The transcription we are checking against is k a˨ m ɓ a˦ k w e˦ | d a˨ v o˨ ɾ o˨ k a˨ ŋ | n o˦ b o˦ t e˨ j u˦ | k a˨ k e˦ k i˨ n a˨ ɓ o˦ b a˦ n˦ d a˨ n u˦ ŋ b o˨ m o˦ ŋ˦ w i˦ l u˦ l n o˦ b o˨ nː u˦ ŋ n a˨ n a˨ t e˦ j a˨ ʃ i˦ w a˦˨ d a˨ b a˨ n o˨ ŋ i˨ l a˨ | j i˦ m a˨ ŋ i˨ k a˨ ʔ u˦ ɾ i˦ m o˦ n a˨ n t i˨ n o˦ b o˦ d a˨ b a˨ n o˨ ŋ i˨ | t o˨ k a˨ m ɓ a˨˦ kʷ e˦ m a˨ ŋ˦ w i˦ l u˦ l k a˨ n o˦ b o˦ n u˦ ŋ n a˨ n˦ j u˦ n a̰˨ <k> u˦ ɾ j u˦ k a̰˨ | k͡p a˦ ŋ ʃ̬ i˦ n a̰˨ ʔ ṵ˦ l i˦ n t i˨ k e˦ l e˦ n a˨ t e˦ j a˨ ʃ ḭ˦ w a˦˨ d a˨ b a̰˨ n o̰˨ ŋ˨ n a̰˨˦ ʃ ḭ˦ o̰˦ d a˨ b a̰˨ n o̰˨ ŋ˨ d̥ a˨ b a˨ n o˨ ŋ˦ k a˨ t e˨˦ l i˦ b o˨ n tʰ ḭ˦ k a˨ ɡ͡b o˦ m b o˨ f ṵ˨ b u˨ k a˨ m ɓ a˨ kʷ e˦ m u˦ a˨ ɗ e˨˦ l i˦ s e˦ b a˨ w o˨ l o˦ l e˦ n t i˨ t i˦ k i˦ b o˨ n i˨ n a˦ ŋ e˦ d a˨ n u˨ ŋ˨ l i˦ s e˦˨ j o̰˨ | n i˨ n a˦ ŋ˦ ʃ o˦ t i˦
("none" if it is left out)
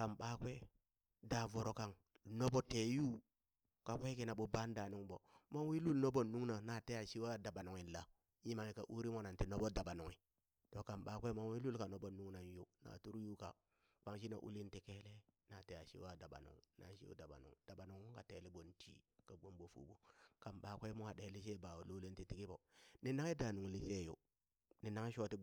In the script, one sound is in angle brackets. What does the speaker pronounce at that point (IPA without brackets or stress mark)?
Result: t